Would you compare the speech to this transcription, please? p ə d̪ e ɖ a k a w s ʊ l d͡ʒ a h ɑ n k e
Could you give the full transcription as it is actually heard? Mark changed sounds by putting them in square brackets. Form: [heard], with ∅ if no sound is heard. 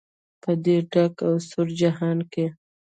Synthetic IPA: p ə d̪ e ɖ a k a w s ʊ [ɾ] d͡ʒ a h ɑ n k e